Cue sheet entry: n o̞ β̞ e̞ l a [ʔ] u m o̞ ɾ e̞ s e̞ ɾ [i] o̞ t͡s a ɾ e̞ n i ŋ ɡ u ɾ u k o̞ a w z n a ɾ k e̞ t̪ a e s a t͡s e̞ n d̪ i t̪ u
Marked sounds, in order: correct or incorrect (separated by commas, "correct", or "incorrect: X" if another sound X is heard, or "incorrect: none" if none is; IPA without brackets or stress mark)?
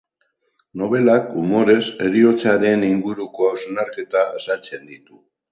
incorrect: k, correct